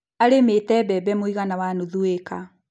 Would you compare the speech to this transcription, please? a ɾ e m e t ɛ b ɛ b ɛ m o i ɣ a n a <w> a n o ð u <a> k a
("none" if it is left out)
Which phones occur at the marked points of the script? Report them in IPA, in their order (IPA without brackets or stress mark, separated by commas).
w, e